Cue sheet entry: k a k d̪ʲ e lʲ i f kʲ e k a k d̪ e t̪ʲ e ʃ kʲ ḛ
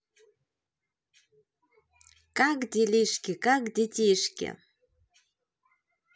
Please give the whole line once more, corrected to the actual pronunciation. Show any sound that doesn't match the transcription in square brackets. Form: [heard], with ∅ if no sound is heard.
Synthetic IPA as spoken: k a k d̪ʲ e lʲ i [ʃ] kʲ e k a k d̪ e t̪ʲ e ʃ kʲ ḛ